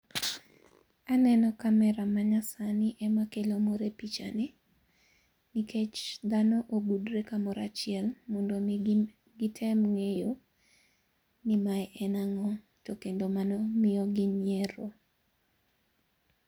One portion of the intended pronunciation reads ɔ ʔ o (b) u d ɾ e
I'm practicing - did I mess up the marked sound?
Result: no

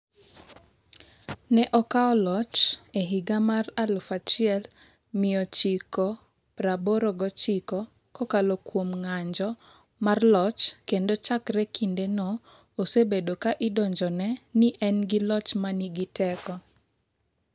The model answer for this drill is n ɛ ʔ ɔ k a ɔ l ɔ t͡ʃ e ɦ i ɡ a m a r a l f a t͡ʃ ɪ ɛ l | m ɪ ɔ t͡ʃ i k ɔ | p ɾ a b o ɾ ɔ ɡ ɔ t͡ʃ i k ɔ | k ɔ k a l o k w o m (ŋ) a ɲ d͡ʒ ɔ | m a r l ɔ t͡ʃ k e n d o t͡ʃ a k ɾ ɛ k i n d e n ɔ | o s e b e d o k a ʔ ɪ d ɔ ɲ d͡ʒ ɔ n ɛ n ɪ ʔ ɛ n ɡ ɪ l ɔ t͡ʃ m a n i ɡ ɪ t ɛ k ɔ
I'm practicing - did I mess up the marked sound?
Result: no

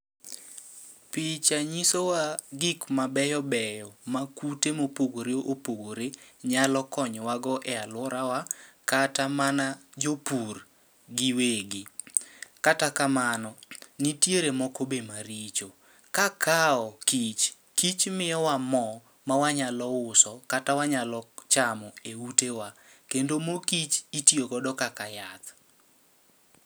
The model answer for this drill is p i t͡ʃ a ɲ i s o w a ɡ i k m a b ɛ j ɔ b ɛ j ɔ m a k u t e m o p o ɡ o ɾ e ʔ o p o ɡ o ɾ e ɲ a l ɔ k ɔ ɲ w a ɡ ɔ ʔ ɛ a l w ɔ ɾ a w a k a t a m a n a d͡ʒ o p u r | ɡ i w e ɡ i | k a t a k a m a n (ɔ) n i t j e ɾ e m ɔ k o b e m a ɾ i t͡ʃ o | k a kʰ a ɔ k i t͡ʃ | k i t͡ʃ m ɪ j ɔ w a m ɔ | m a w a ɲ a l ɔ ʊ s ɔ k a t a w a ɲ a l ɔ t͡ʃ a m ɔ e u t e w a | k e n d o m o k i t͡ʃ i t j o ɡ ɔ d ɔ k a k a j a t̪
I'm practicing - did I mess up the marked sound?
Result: no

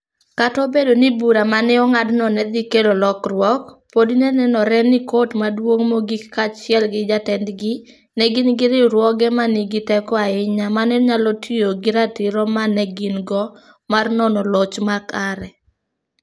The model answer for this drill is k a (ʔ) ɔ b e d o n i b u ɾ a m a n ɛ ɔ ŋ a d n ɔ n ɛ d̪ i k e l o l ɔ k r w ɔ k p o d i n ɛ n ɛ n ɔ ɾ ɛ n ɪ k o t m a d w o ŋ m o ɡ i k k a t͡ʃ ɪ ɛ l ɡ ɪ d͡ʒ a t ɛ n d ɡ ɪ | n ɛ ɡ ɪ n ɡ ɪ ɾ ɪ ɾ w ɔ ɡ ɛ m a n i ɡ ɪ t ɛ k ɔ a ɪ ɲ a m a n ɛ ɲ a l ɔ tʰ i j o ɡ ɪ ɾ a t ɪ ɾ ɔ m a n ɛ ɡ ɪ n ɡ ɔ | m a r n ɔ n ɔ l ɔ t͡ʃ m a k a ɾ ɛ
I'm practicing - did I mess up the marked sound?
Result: yes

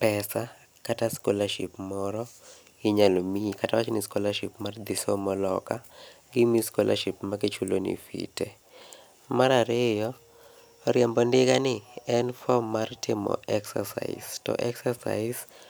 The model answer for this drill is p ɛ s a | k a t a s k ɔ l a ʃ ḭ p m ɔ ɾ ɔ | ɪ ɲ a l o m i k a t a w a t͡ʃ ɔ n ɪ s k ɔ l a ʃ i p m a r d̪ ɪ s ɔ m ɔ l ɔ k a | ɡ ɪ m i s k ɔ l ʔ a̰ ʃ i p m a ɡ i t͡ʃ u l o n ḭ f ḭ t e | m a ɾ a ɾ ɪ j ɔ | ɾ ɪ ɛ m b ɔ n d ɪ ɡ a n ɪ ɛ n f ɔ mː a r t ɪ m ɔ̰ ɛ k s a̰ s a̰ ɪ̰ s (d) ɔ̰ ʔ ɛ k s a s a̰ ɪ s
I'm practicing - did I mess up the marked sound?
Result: yes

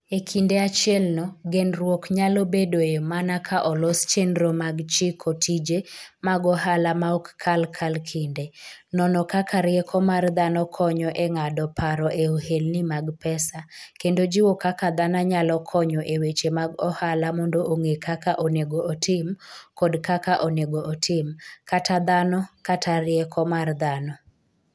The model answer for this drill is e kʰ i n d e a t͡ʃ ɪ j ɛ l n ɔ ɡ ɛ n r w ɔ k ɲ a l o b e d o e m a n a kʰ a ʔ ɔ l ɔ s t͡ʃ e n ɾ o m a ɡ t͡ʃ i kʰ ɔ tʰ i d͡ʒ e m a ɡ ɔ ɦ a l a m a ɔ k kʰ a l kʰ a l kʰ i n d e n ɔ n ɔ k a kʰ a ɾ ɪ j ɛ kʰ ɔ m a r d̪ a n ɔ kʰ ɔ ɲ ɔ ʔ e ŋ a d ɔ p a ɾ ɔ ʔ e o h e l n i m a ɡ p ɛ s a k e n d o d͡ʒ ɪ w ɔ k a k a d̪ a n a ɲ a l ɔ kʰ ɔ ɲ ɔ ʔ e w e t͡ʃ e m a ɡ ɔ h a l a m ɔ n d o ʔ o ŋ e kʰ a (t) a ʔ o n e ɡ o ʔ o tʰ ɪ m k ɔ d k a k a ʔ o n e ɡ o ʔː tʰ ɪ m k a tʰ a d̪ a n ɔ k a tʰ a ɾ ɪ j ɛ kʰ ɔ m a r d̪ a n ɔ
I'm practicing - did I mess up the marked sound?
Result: yes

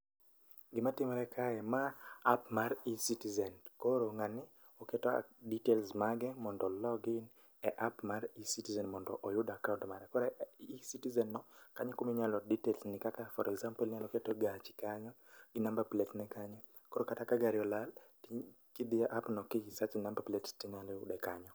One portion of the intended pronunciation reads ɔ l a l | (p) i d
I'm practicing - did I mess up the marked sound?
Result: yes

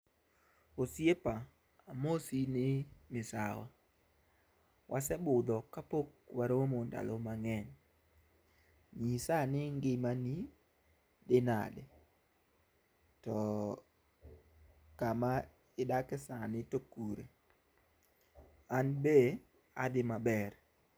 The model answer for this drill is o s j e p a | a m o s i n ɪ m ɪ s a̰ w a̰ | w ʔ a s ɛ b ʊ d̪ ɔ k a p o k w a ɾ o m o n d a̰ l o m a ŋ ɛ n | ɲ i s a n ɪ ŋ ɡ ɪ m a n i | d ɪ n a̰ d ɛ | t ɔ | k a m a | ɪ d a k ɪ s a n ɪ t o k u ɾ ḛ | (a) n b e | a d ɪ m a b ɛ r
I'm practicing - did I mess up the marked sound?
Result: no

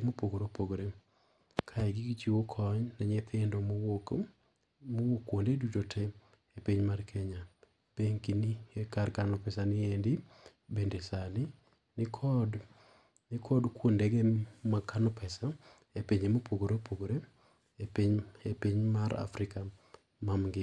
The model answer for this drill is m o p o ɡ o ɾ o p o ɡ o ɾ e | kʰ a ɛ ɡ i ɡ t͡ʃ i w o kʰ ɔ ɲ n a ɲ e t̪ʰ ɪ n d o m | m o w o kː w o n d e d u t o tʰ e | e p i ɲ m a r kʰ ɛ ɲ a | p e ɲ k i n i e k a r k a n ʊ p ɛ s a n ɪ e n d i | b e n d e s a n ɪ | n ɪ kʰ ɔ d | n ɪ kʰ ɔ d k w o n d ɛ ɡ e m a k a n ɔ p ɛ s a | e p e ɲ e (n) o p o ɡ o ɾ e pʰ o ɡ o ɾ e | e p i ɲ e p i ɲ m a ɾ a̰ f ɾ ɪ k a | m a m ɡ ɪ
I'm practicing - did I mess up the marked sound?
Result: yes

